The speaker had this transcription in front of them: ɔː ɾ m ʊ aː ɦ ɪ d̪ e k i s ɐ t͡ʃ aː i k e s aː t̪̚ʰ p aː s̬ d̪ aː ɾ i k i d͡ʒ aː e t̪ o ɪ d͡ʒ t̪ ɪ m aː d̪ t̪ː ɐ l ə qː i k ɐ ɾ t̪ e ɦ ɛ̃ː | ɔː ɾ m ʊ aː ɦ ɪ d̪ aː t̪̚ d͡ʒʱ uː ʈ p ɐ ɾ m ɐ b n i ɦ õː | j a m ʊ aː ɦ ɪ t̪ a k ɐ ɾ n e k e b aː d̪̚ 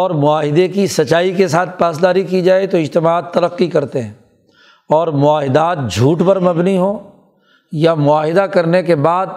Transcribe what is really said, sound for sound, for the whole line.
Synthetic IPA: ɔː ɾ m ʊ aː ɦ ɪ d̪ e k i s ɐ t͡ʃ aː i k e s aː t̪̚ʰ p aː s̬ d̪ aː ɾ i k i d͡ʒ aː e t̪ o ɪ d͡ʒ t̪ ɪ m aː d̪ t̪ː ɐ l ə qː i k ɐ ɾ t̪ e ɦ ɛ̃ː | ɔː ɾ m ʊ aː ɦ ɪ d̪ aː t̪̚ d͡ʒʱ uː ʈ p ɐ ɾ m ɐ b n i ɦ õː | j a m ʊ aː ɦ ɪ d̪ a k ɐ ɾ n e k e b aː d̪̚